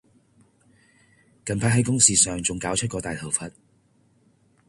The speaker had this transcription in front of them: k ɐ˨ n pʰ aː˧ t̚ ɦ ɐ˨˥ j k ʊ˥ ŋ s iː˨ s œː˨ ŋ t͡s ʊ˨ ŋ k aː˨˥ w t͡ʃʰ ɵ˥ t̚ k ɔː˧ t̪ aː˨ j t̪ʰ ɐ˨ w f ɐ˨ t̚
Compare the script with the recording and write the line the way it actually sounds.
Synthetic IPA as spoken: k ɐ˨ n pʰ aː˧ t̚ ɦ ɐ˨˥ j k ʊ˥ ŋ s iː˨ s œː˨ ŋ t͡s ʊ˨ ŋ k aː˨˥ w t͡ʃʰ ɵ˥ t̚ k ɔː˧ t̪ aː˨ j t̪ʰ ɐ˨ w f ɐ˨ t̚

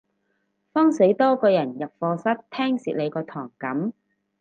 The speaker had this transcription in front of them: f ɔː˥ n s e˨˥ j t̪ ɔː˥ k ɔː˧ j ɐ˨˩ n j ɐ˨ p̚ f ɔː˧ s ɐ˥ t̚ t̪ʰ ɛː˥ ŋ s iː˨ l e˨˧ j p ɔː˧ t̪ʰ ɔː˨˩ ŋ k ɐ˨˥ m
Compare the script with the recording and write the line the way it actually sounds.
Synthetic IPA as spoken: f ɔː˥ ŋ s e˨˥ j t̪ ɔː˥ k ɔː˧ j ɐ˨˩ n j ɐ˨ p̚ f ɔː˧ s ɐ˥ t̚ t̪ʰ ɛː˥ ŋ s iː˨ l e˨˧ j k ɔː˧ t̪ʰ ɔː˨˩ ŋ k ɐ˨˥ m

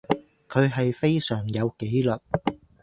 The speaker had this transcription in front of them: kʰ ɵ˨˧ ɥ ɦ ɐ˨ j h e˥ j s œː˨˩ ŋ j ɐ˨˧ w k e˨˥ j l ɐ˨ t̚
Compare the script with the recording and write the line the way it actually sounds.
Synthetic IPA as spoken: kʰ ɵ˨˧ ɥ ɦ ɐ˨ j f e˥ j s œː˨˩ ŋ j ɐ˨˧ w k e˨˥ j l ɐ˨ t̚

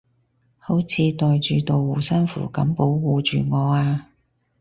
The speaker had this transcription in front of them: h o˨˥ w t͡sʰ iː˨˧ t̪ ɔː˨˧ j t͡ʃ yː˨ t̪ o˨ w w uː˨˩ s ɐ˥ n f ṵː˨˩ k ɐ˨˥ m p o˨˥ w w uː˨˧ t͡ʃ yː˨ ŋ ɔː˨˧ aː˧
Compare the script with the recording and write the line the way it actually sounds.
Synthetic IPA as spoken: h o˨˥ w t͡sʰ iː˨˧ t̪ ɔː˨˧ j t͡ʃ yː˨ t̪ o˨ w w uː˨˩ s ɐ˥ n f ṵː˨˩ k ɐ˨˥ m p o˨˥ w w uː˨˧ t͡ʃ yː˨ ŋ ɔː˨˧ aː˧

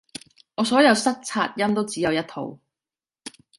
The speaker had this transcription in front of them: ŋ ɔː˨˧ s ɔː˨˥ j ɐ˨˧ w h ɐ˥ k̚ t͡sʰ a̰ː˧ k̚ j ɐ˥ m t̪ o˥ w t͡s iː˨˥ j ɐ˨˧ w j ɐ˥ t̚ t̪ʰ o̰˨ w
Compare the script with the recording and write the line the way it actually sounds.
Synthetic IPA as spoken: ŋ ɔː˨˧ s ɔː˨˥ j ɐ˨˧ w s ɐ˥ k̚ t͡sʰ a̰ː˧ t̚ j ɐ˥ m t̪ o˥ w t͡s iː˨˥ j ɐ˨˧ w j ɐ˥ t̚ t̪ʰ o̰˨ w

